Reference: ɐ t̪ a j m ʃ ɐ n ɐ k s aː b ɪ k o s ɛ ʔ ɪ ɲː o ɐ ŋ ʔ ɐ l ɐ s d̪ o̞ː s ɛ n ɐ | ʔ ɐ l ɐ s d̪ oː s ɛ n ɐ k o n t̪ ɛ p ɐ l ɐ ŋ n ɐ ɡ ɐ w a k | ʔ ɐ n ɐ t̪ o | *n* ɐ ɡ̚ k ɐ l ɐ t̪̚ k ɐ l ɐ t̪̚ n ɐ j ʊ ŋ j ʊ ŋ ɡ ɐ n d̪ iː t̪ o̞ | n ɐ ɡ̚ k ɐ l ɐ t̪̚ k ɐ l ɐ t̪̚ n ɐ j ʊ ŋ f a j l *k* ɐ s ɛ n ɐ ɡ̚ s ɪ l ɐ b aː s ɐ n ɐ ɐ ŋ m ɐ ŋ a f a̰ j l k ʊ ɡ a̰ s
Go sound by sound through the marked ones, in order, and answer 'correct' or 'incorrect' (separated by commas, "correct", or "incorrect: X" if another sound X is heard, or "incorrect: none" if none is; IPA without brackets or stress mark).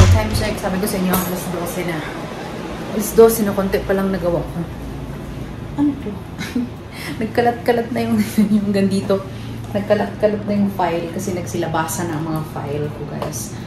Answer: correct, correct